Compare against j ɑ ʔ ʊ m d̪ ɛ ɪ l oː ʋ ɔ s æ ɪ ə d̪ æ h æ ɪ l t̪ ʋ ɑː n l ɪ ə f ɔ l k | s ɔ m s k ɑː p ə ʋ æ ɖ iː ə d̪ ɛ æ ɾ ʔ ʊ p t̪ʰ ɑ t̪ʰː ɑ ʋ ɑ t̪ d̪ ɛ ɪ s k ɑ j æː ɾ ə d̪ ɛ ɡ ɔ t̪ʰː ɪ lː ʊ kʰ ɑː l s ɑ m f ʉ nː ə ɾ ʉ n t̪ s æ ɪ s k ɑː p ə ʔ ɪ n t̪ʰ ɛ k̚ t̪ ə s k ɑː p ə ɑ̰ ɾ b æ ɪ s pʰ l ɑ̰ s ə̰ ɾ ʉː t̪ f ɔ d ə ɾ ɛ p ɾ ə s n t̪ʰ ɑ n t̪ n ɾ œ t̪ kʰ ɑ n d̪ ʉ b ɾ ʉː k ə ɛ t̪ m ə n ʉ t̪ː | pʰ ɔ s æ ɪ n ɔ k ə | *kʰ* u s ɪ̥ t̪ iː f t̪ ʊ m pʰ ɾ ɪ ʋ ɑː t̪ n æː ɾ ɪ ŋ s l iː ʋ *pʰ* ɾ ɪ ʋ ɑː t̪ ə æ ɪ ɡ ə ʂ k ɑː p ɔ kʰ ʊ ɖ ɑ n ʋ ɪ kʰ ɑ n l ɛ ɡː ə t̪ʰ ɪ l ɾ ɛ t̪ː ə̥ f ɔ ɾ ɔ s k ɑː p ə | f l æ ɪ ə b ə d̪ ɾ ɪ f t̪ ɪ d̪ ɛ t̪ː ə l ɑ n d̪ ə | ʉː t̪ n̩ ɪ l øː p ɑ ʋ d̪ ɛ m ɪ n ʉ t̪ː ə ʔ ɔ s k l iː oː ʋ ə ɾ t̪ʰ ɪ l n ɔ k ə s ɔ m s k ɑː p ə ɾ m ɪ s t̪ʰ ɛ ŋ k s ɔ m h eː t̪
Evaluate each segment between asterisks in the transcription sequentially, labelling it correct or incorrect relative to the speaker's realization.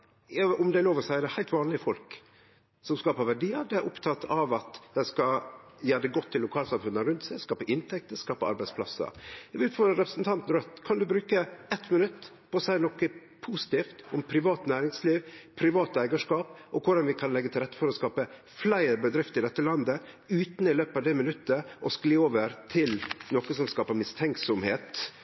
incorrect: pʰ, correct

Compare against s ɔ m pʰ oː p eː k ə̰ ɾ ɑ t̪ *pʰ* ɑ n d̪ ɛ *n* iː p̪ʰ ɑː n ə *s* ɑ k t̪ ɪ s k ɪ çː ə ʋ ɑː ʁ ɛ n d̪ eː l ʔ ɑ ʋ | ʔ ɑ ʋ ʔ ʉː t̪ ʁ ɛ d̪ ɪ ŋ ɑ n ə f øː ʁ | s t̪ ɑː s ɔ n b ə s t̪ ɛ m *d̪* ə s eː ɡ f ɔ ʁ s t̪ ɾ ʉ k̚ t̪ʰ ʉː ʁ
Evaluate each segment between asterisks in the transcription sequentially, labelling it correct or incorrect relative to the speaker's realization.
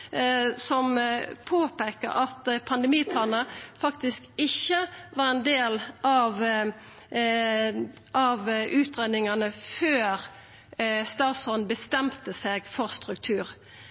correct, incorrect: m, incorrect: f, incorrect: t̪

